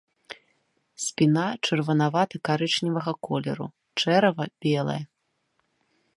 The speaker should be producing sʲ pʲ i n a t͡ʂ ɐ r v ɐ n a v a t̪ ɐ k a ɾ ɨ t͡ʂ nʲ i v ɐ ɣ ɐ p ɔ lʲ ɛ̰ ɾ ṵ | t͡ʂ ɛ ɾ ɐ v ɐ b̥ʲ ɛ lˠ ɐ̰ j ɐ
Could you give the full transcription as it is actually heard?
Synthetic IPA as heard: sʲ pʲ i n a t͡ʂ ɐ r v ɐ n a v a t̪ ɐ k a ɾ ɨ t͡ʂ nʲ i v ɐ ɣ ɐ k ɔ lʲ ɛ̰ ɾ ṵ | t͡ʂ ɛ ɾ ɐ v ɐ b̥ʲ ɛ lˠ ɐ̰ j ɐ